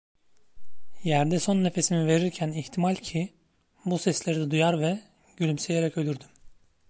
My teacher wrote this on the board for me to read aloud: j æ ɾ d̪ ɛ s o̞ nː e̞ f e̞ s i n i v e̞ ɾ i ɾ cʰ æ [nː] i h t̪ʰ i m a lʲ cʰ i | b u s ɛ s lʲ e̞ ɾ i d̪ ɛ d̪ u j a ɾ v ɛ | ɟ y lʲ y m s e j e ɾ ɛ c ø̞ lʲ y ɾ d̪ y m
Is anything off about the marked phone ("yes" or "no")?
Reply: yes